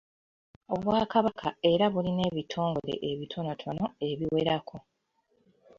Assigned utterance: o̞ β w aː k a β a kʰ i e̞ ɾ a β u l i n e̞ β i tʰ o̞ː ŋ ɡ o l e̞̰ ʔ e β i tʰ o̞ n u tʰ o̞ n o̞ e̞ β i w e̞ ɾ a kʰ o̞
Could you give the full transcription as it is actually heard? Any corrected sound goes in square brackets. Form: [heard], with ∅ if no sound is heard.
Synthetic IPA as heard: o̞ β w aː k a β a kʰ [a] e̞ ɾ a β u l i n e̞ β i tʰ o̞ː ŋ ɡ o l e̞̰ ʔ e β i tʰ o̞ n [o] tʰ o̞ n o̞ e̞ β i w e̞ ɾ a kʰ o̞

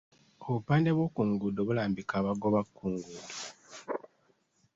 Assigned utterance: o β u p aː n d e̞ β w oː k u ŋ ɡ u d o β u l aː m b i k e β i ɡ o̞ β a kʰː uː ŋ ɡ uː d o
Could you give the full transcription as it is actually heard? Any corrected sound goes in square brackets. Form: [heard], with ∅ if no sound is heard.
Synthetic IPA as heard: o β u p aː n d e̞ β w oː k u ŋ ɡ u d o β u l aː m b i k [a] β [a] ɡ o̞ β a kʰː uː ŋ ɡ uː d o

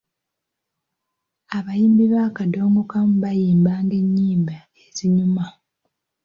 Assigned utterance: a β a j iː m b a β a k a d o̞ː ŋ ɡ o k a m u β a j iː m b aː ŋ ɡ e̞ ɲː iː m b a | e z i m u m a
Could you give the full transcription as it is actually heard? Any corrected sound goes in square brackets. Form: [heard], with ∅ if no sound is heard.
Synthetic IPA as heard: a β a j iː m b [i] β a k a d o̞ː ŋ ɡ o k a m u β a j iː m b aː ŋ ɡ e̞ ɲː iː m b a | e z i [ɲ] u m a

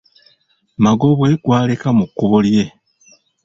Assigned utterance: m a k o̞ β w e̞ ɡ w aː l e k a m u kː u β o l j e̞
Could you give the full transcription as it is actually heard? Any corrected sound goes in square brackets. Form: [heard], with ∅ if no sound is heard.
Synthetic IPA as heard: m a [ɡ] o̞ β w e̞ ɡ w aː l e k a m u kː u β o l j e̞

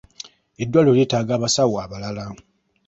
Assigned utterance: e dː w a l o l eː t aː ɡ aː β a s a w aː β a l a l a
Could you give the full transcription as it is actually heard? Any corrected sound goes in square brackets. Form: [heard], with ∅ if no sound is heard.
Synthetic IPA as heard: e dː w a l o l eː t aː ɡ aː β a s a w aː β a l a l a

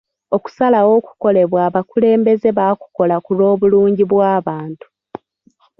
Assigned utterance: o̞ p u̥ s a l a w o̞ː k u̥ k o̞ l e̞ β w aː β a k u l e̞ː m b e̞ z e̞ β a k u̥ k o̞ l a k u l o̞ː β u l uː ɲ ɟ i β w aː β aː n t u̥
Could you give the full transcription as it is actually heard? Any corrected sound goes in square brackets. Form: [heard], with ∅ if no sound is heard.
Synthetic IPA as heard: o̞ [k] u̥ s a l a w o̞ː k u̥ k o̞ l e̞ β w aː β a k u l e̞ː m b e̞ z e̞ β a k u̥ k o̞ l a k u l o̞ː β u l uː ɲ ɟ i β w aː β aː n t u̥

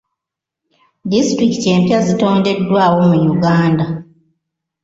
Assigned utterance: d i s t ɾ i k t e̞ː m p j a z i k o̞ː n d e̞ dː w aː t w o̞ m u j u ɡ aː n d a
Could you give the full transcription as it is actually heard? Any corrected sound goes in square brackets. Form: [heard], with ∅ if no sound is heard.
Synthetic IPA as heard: d i s t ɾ i k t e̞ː m p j a z i [t] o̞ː n d e̞ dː w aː [∅] w o̞ m u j u ɡ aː n d a

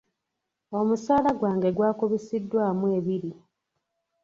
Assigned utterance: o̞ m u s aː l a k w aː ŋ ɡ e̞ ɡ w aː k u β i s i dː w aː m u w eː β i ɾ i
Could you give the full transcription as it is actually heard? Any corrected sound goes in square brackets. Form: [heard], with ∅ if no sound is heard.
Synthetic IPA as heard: o̞ m u s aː l a [ɡ] w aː ŋ ɡ e̞ ɡ w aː k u β i s i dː w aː m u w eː β i ɾ i

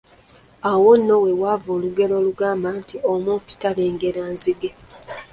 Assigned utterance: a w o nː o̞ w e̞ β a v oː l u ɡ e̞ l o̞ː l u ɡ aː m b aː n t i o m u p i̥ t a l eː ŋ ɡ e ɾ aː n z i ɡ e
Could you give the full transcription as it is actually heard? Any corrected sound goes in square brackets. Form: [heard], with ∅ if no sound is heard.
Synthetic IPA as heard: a w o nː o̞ w e̞ [w] a v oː l u ɡ e̞ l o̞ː l u ɡ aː m b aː n t i o m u p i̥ t a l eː ŋ ɡ e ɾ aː n z i ɡ e

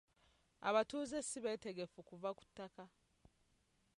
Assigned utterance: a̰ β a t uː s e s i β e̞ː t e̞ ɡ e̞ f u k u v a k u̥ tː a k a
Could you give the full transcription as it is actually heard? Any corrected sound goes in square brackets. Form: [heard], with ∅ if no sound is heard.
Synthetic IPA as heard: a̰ β a t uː [z] e s i β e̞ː t e̞ ɡ e̞ f u k u v a k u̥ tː a k a

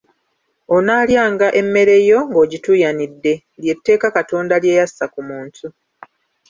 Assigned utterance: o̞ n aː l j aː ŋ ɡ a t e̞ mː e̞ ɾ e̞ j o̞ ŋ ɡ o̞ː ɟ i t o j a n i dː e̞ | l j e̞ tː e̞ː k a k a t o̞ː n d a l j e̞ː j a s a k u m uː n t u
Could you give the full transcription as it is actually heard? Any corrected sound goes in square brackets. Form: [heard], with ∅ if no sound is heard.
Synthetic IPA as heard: o̞ n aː l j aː ŋ ɡ a [ʔ] e̞ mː e̞ ɾ e̞ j o̞ ŋ ɡ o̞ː ɟ i t [u] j a n i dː e̞ | l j e̞ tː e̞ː k a k a t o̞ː n d a l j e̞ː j a s a k u m uː n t u

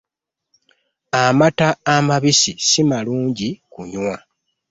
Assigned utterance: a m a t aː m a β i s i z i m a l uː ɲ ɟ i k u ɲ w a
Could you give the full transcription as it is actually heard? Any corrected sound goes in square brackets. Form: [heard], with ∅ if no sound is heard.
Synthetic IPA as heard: a m a t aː m a β i s i [s] i m a l uː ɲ ɟ i k u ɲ w a

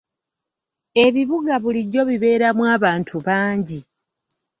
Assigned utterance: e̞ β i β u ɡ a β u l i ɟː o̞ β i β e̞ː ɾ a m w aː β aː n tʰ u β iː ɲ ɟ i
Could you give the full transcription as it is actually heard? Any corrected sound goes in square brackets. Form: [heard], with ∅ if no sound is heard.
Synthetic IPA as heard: e̞ β i β u ɡ a β u l i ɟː o̞ β i β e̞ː ɾ a m w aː β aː n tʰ u β [aː] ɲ ɟ i

